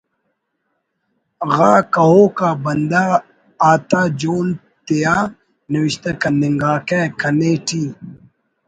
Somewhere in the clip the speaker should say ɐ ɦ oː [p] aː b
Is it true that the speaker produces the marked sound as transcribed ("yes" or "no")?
no